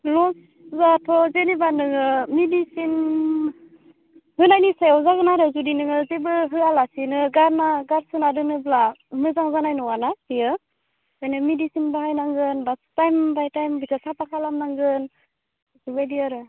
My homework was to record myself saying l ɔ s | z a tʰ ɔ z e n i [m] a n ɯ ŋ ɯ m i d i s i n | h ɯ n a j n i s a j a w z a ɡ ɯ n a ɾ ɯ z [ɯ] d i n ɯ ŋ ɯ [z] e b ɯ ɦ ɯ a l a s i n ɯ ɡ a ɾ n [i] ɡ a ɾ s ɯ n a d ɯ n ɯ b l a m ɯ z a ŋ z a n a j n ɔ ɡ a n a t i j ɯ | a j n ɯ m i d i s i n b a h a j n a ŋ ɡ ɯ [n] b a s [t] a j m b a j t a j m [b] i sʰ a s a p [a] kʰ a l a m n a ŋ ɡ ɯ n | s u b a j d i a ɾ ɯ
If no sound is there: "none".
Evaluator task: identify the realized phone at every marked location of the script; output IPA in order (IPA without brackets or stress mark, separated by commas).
b, u, z, a, n, t, b, a